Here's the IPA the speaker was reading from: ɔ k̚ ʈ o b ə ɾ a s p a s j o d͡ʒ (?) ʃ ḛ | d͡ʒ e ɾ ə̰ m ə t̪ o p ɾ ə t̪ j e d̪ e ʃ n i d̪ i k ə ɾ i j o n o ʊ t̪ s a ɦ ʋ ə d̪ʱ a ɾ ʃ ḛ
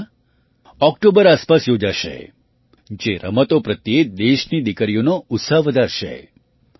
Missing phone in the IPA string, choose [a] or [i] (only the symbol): a